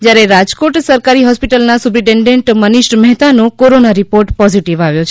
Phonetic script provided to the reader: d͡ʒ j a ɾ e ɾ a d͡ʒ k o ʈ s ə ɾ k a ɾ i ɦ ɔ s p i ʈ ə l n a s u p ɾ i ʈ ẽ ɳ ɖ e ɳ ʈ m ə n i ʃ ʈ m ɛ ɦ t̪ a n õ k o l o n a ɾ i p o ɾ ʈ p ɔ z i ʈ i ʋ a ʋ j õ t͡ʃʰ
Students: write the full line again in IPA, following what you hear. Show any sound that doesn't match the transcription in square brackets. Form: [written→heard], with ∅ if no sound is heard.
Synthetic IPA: d͡ʒ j a ɾ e ɾ a d͡ʒ k o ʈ s ə ɾ k a ɾ i ɦ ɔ s p i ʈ ə l n a s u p ɾ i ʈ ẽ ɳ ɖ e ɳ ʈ m ə n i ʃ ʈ m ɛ ɦ t̪ a n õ k o [l→ɾ] o n a ɾ i p o ɾ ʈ p ɔ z i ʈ i ʋ a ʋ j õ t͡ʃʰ